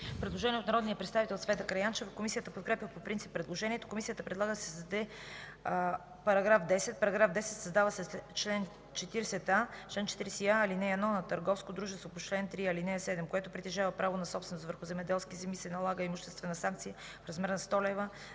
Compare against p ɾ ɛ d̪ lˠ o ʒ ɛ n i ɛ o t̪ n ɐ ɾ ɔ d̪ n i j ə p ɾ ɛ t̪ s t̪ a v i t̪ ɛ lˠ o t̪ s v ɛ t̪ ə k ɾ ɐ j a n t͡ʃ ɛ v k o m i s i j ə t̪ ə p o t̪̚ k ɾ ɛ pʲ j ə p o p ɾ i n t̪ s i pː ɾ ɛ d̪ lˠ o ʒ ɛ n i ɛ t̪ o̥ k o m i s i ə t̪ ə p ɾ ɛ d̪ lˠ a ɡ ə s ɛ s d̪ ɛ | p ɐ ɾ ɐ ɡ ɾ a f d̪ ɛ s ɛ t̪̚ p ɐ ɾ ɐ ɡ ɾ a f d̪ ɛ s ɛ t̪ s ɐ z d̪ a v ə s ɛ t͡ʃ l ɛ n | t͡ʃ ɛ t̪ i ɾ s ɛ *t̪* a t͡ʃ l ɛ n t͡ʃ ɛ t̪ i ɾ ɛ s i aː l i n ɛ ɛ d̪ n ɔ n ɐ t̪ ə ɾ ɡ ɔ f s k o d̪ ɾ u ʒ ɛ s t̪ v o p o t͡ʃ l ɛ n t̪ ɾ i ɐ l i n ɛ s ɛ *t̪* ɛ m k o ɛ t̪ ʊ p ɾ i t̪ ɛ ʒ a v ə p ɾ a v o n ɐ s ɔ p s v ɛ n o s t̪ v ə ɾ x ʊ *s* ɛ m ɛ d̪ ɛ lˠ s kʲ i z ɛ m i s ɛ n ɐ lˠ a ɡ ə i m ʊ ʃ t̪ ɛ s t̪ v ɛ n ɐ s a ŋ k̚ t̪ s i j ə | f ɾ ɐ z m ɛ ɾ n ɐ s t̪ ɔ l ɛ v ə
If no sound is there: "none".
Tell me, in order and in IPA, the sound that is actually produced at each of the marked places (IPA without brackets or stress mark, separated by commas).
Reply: t̪, d̪, z